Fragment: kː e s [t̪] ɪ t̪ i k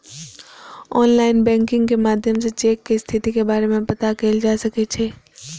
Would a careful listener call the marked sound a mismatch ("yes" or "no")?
yes